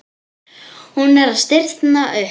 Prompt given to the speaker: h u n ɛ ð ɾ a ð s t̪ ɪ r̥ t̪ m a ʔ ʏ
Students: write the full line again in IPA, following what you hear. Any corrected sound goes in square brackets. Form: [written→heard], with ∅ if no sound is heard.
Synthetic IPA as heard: h u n ɛ [ð→∅] ɾ a ð s t̪ ɪ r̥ t̪ [m→n] a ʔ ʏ